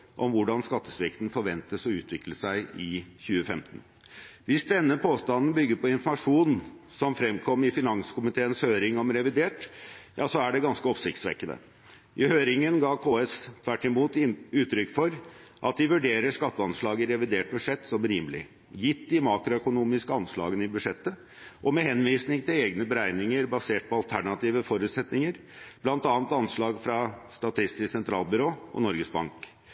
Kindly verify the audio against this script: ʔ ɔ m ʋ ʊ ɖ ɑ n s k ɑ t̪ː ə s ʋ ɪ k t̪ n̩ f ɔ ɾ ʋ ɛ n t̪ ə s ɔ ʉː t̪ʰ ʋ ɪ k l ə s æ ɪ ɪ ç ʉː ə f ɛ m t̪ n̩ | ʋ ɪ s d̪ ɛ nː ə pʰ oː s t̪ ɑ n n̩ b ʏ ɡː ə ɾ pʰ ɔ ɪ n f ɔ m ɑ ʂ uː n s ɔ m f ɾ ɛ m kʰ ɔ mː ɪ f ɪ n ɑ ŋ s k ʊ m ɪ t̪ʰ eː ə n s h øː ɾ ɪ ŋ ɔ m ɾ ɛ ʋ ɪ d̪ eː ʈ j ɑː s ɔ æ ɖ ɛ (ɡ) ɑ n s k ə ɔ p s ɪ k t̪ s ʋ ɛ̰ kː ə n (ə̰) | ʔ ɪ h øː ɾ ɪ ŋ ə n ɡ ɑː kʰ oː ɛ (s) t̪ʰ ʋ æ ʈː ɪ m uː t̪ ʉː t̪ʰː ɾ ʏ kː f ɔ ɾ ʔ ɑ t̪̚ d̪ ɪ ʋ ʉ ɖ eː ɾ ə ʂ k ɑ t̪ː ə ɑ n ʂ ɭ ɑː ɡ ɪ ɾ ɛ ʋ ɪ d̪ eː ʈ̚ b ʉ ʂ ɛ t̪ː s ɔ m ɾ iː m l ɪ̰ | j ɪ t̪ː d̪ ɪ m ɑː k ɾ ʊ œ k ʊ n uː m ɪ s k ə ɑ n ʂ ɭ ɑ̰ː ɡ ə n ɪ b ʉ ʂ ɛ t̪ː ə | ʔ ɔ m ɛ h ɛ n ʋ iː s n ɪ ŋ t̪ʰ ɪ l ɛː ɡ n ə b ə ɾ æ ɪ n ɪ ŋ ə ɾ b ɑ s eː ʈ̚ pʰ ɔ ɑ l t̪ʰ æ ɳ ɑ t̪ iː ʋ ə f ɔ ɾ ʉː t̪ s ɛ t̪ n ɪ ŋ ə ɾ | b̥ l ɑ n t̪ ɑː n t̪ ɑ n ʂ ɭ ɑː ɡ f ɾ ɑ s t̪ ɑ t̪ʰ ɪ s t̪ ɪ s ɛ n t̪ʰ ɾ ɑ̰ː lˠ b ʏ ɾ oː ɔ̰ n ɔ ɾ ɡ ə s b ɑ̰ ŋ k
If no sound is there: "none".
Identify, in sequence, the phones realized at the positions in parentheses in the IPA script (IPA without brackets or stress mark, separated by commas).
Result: ɡ, ə̰, s